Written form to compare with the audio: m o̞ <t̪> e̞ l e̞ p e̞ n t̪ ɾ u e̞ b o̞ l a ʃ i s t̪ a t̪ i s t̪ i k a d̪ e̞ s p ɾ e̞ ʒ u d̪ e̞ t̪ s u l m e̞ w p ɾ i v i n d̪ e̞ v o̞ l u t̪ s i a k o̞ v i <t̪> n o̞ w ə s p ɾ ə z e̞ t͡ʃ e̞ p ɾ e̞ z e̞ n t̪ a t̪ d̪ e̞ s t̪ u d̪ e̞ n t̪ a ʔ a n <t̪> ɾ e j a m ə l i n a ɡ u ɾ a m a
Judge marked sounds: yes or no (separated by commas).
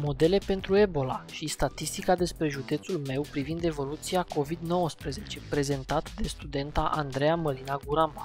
no, no, no